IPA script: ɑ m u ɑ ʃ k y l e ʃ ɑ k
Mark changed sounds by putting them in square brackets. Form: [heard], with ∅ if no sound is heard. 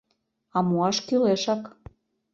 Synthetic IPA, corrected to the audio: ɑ m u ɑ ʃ k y l e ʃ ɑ k